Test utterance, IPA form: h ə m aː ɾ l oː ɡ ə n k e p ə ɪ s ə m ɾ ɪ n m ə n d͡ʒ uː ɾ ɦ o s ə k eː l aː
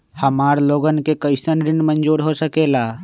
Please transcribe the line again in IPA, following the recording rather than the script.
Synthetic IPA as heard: h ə m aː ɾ l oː ɡ ə n k e k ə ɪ s ə n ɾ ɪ n m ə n d͡ʒ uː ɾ ɦ o s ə k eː l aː